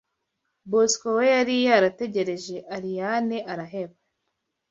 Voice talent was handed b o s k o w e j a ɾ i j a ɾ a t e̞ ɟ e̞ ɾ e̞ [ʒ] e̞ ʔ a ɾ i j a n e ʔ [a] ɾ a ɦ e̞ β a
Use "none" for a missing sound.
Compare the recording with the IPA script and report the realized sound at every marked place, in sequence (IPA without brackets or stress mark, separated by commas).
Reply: ʒ, a